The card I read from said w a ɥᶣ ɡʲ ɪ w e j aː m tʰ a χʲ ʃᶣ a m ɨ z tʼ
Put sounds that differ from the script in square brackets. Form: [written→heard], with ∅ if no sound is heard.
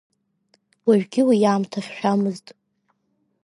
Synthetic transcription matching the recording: w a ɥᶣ ɡʲ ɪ w [e→i] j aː m tʰ a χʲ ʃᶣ a m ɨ z tʼ